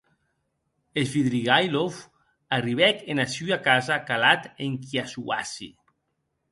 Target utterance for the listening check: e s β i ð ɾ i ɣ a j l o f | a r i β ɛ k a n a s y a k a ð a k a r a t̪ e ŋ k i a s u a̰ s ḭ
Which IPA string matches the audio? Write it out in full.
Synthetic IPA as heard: e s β i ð ɾ i ɣ a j l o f | a r i β ɛ k e n a s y a k a z a k a l a t̪ e ŋ k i a s u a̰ s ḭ